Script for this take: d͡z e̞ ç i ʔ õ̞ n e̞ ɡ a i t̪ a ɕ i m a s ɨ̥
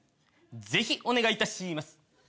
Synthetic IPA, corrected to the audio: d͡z e̞ ç i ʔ o̞ n e̞ ɡ a i t̪ a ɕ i m a s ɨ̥